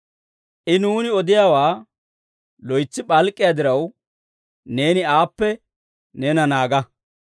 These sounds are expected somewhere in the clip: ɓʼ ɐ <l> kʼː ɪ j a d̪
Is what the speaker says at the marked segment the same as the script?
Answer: yes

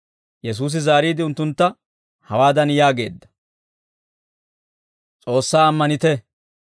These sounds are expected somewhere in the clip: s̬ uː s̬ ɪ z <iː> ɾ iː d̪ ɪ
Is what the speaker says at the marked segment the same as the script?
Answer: no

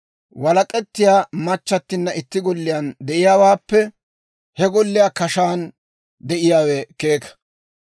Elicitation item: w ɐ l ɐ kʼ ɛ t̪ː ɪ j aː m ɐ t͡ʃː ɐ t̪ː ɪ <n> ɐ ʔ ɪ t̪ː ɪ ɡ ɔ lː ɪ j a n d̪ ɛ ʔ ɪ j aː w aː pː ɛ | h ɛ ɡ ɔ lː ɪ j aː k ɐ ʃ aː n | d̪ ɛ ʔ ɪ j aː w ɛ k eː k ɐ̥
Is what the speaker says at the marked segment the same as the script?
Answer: no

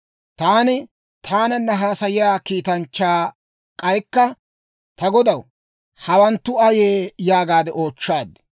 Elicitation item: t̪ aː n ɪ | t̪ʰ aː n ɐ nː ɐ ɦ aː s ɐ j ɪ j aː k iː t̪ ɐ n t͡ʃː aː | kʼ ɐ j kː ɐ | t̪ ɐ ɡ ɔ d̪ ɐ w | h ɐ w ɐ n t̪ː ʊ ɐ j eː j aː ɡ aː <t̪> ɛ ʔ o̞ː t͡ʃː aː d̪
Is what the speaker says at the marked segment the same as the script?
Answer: no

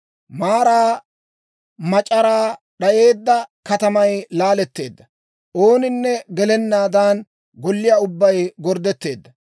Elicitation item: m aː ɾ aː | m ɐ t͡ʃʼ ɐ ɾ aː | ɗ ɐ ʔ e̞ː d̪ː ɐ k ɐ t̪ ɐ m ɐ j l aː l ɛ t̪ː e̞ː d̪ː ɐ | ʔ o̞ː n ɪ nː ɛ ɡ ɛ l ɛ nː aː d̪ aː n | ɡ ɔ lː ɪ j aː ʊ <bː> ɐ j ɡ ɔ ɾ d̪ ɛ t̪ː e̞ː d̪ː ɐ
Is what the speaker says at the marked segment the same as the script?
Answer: yes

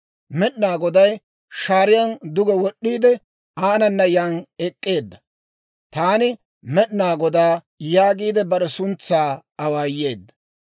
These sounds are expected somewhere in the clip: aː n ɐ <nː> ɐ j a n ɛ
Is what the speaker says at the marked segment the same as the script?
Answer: yes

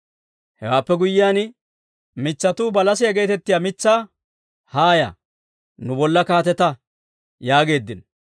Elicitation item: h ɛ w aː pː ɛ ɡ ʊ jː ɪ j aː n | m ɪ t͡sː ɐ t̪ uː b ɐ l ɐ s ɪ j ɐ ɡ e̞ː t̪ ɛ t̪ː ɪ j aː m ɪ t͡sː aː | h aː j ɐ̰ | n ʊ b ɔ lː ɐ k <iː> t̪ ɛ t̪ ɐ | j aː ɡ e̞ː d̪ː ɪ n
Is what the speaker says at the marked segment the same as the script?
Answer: no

